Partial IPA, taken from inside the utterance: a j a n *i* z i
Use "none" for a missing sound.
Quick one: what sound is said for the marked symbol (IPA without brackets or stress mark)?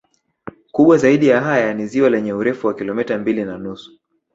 i